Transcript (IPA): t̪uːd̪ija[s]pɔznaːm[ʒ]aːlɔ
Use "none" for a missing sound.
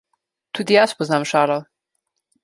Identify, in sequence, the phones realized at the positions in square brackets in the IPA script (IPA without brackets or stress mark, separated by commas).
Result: s, ʃ